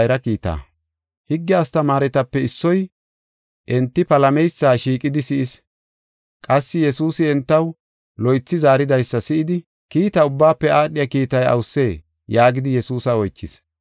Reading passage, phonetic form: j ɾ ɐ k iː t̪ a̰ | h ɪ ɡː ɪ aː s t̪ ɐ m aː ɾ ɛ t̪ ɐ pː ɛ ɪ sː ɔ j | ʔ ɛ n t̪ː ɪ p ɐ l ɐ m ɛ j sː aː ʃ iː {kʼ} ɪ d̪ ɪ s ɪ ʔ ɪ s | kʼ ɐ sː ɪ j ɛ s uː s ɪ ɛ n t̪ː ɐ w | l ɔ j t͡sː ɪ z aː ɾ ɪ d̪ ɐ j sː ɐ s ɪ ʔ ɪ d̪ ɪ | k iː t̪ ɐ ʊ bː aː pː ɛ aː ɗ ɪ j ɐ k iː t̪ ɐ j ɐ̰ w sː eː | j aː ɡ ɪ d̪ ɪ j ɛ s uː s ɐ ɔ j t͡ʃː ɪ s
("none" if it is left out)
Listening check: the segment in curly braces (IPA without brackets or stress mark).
kʼ